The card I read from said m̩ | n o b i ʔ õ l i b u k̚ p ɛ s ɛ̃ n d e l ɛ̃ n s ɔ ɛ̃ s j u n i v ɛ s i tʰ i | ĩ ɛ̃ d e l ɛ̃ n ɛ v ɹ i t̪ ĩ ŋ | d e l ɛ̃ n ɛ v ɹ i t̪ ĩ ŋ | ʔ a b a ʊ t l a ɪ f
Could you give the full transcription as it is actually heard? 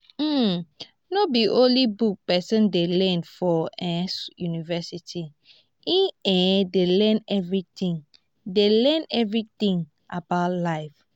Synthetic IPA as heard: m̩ | n o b i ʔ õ l i b u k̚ p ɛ s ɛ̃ n d e l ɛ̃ n f ɔ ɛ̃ s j u n i v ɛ s i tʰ i | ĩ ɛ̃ d e l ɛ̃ n ɛ v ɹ i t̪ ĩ ŋ | d e l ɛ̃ n ɛ v ɹ i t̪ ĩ ŋ | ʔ a b a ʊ t l a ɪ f